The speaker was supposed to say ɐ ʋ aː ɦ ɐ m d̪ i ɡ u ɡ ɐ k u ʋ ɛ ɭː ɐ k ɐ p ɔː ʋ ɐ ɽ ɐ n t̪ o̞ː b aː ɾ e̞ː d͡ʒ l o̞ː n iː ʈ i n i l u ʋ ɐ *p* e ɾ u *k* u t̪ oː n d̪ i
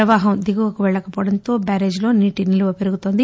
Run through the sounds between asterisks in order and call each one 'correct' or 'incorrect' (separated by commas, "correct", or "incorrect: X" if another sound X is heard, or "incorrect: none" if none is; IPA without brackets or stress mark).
correct, incorrect: ɡ